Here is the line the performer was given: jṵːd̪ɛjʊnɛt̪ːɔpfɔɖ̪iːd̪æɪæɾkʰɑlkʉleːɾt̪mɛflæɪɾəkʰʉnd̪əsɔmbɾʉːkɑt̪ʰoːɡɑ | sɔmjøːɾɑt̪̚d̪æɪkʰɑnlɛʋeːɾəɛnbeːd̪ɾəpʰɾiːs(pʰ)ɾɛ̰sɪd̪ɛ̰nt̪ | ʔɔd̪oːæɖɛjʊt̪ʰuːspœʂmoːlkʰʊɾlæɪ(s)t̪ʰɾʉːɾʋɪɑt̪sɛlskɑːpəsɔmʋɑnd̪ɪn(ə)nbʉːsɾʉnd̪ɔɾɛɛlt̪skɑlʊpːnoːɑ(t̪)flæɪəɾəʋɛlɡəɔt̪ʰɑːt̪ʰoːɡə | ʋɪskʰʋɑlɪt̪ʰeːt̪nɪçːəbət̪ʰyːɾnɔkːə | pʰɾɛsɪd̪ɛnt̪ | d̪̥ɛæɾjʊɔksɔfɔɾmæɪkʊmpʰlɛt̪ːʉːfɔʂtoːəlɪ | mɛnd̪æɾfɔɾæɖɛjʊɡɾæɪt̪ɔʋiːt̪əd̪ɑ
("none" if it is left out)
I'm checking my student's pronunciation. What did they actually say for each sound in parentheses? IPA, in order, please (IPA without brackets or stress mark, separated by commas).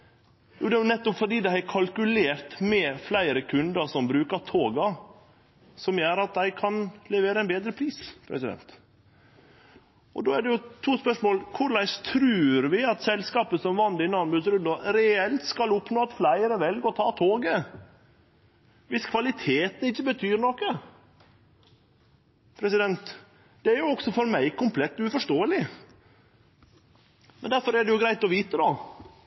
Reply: pʰ, s, ɑ, t̪